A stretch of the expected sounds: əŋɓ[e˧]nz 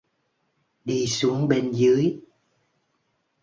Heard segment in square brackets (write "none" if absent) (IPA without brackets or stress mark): e˧